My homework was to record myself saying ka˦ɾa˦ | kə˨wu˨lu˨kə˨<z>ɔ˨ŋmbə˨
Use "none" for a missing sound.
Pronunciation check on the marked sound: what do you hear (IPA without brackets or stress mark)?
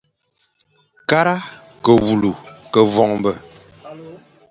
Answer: v